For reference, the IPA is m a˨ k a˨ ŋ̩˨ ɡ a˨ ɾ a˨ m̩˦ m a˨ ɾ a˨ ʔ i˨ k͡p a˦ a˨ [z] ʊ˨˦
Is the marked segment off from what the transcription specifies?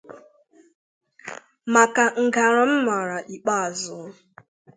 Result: no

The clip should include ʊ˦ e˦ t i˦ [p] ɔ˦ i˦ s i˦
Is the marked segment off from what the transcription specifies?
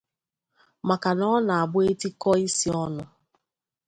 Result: yes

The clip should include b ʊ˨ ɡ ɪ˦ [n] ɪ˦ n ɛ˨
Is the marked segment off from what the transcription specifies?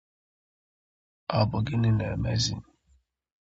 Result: no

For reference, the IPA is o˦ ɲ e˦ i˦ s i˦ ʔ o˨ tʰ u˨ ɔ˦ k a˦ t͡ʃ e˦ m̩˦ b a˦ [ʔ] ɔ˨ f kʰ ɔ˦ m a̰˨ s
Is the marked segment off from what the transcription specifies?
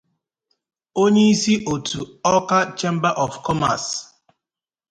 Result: no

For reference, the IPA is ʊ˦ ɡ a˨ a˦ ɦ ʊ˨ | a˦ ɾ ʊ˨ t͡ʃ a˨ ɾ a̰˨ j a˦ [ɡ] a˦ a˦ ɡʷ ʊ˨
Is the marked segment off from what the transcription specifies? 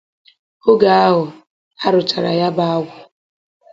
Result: yes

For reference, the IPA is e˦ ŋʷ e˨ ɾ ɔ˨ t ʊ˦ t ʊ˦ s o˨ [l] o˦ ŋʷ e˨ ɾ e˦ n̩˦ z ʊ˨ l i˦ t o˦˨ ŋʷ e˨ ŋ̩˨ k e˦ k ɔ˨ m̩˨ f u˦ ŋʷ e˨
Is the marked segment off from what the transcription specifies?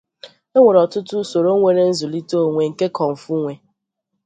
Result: yes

